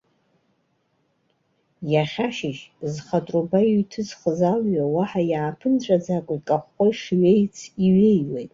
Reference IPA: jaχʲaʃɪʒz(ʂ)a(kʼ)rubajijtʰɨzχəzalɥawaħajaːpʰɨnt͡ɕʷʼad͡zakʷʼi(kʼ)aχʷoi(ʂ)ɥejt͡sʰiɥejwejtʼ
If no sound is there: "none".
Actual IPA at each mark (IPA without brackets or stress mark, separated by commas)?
χ, tʼ, kʼ, ʂ